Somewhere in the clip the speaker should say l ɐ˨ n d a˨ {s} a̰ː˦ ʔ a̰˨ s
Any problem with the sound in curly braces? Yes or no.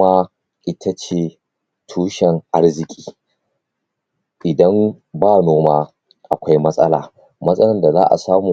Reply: yes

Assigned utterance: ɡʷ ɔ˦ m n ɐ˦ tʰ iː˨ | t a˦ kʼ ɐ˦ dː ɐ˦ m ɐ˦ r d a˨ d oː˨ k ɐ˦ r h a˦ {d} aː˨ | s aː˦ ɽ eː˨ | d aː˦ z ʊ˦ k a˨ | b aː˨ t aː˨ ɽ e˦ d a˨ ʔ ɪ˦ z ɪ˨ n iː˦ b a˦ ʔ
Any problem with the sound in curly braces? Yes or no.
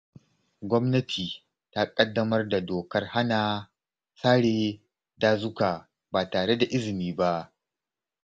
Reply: yes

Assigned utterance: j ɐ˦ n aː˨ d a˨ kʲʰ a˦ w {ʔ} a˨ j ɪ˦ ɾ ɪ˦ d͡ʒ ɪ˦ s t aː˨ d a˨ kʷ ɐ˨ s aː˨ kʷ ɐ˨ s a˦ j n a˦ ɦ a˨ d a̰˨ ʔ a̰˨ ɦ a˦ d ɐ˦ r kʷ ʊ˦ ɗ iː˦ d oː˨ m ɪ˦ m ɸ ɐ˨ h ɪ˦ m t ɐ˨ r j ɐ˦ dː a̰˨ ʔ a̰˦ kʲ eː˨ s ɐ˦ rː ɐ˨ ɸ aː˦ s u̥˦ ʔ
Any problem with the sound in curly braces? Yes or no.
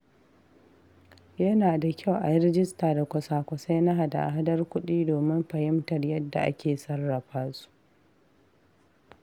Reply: no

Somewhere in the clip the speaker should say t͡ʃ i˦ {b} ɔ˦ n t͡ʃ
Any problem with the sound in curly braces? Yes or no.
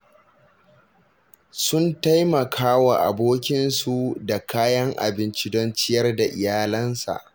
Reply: yes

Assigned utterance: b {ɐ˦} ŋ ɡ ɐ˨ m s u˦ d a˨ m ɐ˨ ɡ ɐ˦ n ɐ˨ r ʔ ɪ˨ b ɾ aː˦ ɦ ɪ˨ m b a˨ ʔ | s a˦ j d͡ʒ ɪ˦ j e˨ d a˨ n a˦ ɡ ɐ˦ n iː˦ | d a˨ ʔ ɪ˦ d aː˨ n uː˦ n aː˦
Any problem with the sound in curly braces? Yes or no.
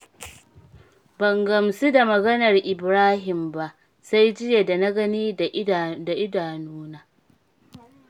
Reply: yes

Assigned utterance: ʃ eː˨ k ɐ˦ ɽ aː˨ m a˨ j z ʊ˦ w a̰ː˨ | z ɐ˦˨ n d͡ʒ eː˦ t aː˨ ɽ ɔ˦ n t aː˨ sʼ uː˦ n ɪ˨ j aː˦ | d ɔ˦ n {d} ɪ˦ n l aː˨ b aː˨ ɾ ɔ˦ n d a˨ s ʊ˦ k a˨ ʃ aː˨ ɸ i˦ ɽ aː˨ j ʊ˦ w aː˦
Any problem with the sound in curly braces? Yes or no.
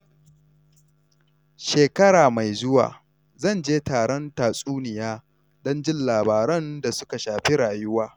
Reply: yes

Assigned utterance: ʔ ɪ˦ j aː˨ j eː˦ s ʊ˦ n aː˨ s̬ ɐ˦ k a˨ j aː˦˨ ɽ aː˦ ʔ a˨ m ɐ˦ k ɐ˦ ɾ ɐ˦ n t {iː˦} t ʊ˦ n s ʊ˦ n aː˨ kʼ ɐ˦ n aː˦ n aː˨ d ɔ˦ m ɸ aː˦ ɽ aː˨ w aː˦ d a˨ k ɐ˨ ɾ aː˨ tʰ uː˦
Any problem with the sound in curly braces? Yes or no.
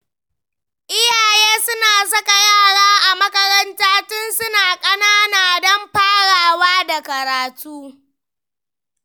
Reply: yes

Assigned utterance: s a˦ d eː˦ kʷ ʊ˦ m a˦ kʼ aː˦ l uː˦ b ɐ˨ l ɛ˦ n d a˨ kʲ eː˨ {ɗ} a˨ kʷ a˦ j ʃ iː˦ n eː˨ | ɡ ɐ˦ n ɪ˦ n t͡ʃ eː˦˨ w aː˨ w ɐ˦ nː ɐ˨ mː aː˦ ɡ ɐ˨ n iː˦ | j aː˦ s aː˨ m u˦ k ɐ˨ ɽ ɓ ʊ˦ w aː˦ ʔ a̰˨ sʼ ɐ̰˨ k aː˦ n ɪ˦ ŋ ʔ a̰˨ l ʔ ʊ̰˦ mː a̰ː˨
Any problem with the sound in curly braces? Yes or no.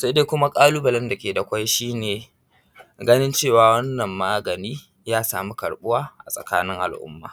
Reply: yes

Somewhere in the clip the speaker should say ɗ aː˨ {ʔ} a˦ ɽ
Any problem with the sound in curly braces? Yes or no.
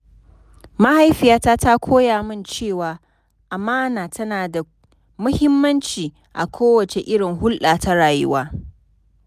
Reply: yes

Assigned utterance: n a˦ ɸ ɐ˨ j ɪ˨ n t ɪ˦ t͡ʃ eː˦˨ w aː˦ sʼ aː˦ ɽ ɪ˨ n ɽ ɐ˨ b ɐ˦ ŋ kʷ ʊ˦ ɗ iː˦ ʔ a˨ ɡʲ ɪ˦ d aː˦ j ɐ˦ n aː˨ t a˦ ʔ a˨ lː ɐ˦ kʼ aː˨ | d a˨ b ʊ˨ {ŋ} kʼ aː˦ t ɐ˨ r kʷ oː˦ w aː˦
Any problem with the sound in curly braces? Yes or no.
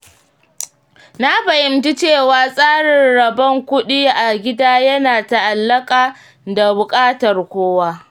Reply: yes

